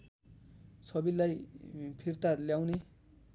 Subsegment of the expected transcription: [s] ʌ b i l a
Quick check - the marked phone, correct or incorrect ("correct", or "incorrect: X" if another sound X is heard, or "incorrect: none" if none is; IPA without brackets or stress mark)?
correct